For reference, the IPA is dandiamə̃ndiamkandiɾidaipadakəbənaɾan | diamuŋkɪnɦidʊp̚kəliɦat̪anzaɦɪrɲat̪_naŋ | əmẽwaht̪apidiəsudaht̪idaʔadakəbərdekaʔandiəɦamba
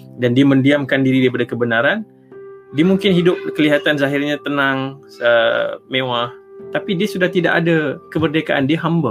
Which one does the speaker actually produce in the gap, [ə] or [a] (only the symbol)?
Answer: ə